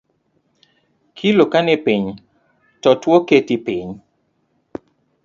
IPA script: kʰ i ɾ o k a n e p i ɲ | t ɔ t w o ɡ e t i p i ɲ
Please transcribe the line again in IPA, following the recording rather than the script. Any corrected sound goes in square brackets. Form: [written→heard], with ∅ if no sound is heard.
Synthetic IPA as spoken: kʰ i [ɾ→l] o k a n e p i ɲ | t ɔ t w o [ɡ→k] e t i p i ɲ